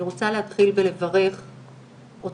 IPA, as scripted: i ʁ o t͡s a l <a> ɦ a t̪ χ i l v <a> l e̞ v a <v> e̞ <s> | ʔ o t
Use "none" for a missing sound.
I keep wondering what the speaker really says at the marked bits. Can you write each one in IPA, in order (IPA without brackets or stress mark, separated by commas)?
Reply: e, e, ʁ, χ